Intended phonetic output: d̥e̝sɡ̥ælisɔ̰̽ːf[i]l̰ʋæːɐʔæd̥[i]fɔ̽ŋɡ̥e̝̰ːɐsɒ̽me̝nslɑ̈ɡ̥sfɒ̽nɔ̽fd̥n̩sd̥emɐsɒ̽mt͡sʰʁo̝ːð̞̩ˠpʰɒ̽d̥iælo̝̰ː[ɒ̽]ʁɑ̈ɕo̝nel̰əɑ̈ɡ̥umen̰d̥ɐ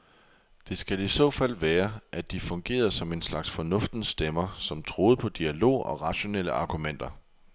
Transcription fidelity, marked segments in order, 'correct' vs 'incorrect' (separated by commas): incorrect, correct, correct